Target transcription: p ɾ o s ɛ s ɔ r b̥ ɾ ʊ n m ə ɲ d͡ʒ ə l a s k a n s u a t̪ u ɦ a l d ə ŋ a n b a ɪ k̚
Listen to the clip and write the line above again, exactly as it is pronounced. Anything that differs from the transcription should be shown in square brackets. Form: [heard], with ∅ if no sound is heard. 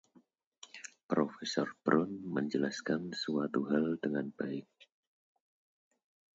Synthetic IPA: p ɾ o [f] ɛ s ɔ r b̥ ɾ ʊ n m ə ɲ d͡ʒ ə l a s k a n s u a t̪ u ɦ a l d ə ŋ a n b a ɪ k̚